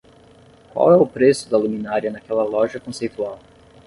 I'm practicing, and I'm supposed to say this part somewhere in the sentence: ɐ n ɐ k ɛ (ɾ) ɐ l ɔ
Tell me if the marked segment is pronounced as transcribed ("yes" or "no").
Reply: no